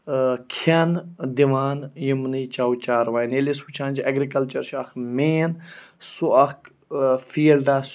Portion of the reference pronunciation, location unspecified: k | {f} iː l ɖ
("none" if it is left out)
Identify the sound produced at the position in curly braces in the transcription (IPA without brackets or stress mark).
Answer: f